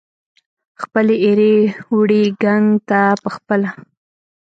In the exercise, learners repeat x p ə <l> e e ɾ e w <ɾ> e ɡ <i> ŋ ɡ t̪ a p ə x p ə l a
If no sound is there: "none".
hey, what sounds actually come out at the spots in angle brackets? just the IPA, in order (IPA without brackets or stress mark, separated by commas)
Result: l, ɽ, a